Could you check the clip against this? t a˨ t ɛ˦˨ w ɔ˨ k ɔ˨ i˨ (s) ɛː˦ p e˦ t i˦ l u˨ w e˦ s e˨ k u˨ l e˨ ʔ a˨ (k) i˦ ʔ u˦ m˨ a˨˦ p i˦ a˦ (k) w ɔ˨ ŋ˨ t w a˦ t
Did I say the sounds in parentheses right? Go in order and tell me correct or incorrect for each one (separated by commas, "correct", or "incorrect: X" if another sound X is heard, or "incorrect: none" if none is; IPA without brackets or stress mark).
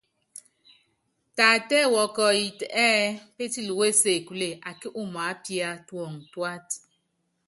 incorrect: t, correct, incorrect: t